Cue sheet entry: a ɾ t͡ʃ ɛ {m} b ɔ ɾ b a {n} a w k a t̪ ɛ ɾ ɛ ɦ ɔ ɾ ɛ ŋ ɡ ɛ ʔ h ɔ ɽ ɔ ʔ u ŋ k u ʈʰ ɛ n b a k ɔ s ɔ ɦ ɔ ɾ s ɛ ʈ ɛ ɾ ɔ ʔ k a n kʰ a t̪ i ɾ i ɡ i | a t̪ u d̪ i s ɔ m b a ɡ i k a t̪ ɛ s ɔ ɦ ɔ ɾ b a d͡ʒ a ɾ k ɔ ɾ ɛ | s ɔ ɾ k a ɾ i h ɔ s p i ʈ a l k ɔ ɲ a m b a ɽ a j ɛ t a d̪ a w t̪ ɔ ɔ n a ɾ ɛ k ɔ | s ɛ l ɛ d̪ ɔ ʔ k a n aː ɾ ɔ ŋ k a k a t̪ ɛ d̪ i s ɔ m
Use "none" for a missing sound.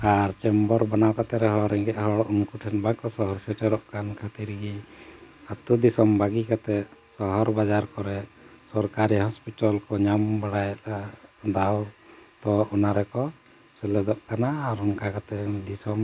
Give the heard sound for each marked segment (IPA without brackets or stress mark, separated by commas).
m, n